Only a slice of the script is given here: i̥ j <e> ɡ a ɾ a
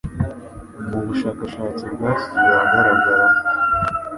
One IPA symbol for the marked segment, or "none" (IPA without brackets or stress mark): a